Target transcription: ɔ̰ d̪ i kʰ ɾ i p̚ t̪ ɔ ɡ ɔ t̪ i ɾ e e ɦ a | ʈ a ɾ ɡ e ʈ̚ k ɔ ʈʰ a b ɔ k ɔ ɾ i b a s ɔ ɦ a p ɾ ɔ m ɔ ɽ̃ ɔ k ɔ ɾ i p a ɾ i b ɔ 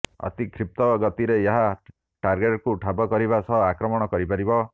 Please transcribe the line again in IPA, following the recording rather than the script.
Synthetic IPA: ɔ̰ t̪ i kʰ ɾ i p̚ t̪ ɔ ɡ ɔ t̪ i ɾ e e ɦ a | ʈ a ɾ ɡ e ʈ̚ k u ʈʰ a b ɔ k ɔ ɾ i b a s ɔ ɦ a k ɾ ɔ m ɔ ɽ̃ ɔ k ɔ ɾ i p a ɾ i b ɔ